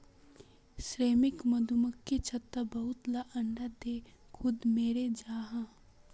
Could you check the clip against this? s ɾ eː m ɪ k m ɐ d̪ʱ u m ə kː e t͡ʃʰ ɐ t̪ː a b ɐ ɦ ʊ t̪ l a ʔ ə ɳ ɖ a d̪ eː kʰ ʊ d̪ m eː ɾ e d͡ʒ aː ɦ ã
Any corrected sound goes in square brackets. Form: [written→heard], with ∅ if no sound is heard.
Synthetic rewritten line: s ɾ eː m ɪ k m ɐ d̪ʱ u m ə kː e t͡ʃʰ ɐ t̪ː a b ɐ ɦ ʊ t̪ l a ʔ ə ɳ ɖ a d̪ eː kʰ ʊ d̪ m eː ɾ e d͡ʒ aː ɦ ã